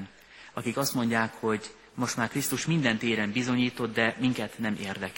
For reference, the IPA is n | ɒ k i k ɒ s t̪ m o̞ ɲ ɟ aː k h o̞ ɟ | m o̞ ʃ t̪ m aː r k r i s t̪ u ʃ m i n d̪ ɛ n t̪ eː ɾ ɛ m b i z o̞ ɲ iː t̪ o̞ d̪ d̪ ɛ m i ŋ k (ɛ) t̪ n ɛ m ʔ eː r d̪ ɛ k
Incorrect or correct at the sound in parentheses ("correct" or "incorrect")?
correct